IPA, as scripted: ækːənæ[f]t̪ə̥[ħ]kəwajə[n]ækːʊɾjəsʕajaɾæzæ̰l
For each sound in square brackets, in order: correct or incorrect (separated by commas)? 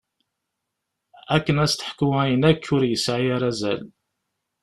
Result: incorrect, correct, correct